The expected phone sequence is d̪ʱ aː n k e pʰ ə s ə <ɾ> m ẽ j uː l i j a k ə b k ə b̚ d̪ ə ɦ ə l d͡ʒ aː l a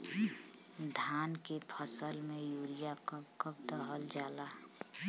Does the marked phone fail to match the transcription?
yes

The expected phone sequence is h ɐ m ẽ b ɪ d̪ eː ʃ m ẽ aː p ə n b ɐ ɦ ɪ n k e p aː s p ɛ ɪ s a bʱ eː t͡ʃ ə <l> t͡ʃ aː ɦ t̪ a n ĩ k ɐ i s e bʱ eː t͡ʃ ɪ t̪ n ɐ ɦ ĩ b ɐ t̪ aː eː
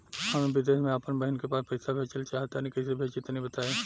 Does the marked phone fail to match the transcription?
no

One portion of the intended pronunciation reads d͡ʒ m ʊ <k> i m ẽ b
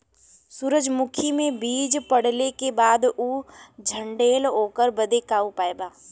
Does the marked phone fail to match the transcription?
yes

